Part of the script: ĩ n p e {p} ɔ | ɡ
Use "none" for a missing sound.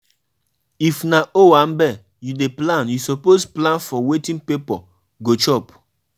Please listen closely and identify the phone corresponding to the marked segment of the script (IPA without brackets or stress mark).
p